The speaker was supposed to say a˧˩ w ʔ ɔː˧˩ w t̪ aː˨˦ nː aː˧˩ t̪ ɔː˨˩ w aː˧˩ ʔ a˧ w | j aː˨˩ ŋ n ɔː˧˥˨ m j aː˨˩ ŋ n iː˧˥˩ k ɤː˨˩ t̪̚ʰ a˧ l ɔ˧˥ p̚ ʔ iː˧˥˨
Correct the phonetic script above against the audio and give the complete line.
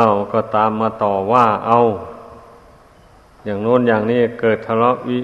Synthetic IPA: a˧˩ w k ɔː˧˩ t̪ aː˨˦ mː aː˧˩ t̪ ɔː˨˩ w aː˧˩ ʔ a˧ w | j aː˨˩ ŋ n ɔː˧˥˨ n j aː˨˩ ŋ n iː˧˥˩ k ɤː˨˩ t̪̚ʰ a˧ l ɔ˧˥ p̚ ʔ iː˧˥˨